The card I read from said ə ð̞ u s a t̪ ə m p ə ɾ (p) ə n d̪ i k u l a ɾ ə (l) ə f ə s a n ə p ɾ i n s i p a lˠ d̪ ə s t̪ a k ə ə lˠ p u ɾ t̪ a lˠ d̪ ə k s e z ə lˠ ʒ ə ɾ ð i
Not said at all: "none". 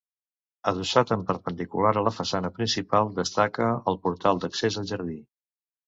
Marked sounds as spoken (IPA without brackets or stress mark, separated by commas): p, l